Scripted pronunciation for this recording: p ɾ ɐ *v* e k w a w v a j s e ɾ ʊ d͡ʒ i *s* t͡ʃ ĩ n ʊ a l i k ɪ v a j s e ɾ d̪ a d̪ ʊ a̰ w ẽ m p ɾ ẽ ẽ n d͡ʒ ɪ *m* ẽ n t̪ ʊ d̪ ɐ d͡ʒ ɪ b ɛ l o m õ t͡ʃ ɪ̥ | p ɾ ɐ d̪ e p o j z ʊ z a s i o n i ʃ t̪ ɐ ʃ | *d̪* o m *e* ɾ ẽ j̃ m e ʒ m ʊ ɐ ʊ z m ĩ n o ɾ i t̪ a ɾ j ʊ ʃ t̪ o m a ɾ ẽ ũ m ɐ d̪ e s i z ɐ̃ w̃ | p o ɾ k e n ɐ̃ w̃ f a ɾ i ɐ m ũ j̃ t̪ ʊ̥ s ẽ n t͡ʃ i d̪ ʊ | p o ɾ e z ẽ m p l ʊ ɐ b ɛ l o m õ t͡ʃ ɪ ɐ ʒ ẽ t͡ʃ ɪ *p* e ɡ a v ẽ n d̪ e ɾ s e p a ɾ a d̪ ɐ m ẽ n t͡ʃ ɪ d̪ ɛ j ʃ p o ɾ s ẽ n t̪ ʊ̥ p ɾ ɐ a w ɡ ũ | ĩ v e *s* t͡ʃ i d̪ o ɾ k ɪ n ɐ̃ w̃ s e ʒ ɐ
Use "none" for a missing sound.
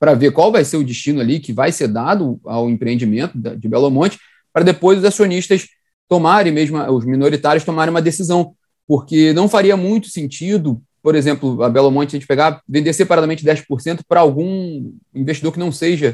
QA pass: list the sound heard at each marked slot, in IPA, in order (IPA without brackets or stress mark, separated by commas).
v, ʃ, m, t̪, a, p, ʃ